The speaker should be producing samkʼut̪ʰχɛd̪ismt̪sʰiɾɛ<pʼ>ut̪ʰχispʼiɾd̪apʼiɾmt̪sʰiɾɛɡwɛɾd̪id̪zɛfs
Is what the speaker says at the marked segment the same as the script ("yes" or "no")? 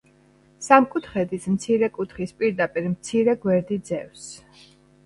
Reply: no